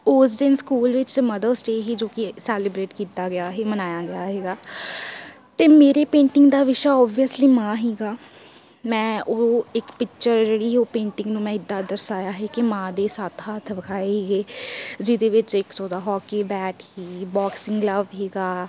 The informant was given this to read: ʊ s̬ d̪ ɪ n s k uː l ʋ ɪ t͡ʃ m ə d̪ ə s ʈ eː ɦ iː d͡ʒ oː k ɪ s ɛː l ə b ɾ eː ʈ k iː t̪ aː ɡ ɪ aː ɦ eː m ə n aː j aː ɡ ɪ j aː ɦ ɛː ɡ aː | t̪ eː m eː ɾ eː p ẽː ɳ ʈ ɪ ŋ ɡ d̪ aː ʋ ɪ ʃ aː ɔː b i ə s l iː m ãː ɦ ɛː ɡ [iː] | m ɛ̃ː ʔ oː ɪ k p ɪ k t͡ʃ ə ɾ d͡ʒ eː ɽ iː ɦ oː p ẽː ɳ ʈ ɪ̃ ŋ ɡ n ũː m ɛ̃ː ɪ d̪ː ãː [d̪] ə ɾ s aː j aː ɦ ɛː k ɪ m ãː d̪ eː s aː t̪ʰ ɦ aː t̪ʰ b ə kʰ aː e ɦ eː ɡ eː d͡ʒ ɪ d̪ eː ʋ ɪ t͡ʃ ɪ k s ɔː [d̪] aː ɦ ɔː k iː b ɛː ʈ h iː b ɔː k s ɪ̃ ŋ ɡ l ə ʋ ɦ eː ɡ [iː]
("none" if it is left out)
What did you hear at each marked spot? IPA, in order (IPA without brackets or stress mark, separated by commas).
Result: aː, d̪, d̪, aː